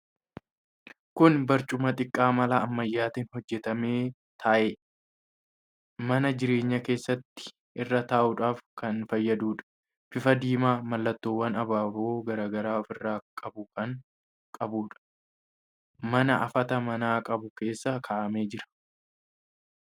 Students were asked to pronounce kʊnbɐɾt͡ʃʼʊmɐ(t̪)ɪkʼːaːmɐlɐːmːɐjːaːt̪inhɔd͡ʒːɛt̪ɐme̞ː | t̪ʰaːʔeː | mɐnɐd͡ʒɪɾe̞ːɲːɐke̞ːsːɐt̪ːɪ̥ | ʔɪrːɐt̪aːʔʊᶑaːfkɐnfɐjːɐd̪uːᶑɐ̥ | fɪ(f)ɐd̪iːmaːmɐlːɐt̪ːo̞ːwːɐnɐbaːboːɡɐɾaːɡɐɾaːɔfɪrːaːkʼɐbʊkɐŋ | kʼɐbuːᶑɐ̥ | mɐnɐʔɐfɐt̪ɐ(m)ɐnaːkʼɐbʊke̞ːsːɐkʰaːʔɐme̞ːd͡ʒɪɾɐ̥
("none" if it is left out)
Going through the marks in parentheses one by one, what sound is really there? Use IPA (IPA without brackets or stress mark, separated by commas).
t̪ʼ, f, m